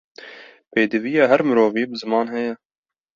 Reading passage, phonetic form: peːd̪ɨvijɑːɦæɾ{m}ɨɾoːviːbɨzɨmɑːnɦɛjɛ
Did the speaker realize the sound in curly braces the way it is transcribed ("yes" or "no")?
yes